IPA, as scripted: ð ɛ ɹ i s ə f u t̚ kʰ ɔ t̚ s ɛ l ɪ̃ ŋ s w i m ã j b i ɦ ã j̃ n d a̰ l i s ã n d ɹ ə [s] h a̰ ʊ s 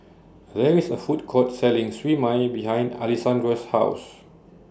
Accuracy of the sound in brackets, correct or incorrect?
correct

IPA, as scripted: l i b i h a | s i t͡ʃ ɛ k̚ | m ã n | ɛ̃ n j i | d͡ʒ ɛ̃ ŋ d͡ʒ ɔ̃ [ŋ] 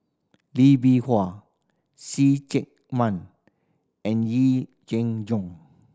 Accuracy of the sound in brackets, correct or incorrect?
correct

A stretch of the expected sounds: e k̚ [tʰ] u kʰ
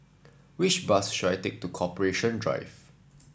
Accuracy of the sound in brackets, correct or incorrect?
incorrect: t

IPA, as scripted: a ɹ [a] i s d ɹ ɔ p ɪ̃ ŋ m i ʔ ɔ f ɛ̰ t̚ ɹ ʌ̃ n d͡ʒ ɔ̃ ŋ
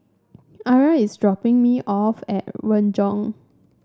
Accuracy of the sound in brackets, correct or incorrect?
correct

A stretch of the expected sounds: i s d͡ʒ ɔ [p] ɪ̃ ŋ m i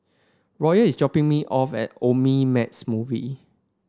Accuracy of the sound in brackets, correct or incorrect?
correct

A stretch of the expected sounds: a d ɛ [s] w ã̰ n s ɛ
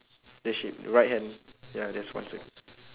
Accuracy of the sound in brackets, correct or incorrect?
correct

